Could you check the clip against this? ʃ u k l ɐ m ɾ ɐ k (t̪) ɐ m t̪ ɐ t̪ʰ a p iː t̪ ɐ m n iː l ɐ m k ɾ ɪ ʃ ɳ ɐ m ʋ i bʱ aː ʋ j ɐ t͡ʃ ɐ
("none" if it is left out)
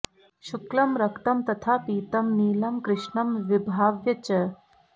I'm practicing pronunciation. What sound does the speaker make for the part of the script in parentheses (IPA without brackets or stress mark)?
t̪